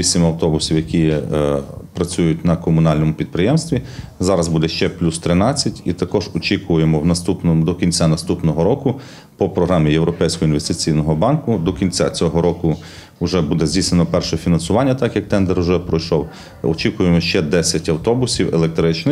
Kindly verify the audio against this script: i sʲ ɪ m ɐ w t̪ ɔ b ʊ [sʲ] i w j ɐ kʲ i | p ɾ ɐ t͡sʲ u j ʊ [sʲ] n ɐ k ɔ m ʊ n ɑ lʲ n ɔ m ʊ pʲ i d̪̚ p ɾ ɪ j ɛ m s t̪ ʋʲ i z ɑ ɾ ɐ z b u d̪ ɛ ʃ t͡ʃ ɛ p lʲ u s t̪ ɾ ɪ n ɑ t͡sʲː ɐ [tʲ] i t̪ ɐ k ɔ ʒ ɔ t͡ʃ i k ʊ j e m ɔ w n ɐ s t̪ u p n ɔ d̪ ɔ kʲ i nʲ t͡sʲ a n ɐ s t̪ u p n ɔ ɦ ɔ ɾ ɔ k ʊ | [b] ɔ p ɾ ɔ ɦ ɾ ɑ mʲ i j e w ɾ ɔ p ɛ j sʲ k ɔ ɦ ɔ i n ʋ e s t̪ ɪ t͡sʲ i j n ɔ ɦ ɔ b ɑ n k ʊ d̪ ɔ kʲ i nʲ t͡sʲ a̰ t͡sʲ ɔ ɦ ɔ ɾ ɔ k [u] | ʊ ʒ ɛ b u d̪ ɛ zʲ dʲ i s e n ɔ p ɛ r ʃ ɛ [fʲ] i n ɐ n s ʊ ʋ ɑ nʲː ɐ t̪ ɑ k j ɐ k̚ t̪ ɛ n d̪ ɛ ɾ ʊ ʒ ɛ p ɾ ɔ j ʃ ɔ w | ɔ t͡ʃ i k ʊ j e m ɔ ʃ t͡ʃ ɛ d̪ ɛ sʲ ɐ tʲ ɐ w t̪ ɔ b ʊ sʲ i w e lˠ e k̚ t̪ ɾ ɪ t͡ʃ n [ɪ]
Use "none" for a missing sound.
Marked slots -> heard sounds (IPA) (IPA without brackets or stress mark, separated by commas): sʲ, tʲ, tʲ, p, ʊ, fʲ, ɪ